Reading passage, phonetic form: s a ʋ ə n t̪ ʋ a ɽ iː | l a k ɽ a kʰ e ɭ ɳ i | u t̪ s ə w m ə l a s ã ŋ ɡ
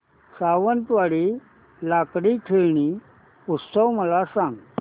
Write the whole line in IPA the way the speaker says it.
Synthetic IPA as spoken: s a ʋ ə n t̪ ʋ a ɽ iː | l a k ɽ i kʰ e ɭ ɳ i | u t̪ s ə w m ə l a s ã ŋ ɡ